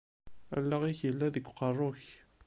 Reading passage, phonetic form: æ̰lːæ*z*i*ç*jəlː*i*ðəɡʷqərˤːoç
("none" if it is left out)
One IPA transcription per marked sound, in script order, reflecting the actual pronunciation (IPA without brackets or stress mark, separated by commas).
ʁ, ç, æ